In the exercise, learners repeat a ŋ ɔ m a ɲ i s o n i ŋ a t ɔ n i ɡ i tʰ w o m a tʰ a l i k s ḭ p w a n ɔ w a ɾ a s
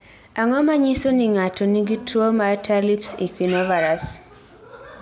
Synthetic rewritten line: a ŋ ɔ m a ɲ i s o n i ŋ a t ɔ n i ɡ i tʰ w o m a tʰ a l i p s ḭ k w i n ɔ v a ɾ a s